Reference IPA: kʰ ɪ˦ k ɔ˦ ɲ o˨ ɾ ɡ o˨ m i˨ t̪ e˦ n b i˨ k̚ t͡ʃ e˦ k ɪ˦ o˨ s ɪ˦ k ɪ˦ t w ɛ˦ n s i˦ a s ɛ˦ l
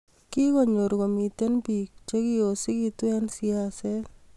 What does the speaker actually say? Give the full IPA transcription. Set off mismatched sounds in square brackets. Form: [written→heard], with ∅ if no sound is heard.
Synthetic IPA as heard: [kʰ→k] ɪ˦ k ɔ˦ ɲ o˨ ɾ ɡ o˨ m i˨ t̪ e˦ n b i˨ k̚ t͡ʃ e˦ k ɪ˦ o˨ s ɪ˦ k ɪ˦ t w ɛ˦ n s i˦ a s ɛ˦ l

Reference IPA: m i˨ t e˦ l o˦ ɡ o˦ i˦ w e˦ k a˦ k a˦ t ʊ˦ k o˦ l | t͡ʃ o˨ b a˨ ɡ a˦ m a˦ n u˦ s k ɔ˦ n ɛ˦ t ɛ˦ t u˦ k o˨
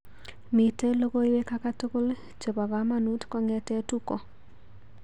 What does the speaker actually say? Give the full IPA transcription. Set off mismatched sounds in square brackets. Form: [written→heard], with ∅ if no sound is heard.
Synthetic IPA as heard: m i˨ t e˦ l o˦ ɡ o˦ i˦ w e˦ k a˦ k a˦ t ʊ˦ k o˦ l | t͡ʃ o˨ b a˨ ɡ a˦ m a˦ n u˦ [s→t] k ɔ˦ [n→ŋ] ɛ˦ t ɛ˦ t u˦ k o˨

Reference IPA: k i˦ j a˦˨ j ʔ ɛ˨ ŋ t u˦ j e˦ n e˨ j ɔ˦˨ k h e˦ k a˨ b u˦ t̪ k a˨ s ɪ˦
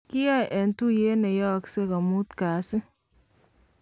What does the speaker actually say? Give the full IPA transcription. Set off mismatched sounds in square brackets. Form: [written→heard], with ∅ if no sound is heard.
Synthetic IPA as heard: k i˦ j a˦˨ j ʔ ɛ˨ [ŋ→n] t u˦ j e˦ n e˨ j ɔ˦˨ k [h→s] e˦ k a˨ [b→m] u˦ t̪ k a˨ s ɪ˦

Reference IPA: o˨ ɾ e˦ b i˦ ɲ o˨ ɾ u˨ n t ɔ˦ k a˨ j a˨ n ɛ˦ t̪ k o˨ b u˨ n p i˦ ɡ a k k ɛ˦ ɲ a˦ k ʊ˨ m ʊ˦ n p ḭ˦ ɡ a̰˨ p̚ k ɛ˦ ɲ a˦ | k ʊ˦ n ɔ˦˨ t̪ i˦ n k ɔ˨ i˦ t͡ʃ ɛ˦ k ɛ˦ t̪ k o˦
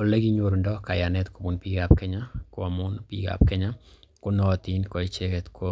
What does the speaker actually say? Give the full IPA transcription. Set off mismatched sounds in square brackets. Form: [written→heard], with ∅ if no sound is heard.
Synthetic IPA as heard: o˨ [ɾ→l] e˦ [b→ɡ] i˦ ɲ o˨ ɾ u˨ n [t→d] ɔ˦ k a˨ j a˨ n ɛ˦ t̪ k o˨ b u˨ n p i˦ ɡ a [k→p] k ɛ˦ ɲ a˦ k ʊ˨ m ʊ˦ n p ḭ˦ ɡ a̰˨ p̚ k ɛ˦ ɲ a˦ | k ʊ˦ n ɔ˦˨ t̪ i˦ n k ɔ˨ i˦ t͡ʃ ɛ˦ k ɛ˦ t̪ k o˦

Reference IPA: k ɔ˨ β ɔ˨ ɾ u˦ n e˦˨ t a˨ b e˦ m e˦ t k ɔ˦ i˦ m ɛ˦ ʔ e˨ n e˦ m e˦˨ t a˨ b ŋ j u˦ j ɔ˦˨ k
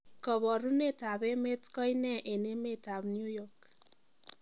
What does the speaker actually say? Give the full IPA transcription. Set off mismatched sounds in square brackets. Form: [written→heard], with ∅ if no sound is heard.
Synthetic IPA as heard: k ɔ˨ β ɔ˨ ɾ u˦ n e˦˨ t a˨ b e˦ m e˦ t k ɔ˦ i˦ [m→n] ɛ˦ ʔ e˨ n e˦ m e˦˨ t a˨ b [ŋ→n] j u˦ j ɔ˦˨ k

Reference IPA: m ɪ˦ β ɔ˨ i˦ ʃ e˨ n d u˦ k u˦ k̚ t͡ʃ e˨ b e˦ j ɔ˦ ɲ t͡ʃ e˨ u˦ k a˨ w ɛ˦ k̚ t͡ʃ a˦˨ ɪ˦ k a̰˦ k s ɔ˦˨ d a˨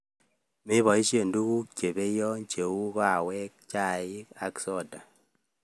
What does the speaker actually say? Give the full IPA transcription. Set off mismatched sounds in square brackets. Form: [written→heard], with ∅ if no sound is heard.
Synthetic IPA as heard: m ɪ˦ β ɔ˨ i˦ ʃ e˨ n d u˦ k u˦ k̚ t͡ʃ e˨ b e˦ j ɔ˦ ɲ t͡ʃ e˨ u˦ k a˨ w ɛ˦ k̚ t͡ʃ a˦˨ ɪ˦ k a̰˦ k s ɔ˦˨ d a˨

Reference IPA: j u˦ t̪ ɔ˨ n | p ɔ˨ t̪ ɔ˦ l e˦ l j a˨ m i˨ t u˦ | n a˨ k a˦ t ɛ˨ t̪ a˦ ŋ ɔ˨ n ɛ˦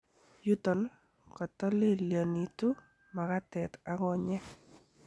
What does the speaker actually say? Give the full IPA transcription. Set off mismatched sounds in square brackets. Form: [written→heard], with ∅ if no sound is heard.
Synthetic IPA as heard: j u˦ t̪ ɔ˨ n | [p→k] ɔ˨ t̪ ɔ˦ l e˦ l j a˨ [m→n] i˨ t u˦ | [n→m] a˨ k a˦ t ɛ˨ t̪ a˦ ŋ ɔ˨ [n→ɲ] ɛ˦

